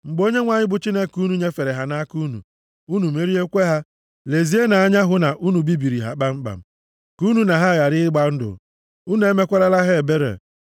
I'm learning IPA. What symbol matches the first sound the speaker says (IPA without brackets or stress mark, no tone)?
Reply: ŋ͡m̩